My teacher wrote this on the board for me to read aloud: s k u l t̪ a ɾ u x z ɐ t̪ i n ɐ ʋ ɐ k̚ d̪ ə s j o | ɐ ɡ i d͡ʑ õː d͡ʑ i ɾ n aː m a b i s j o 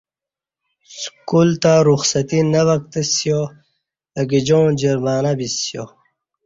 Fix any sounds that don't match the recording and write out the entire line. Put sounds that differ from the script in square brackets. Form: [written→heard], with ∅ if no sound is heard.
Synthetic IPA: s k u l t̪ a ɾ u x [z→s] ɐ t̪ i n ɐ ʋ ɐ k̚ [d̪→t̪] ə s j o | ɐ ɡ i d͡ʑ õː d͡ʑ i ɾ [n→m] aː [m→n] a b i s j o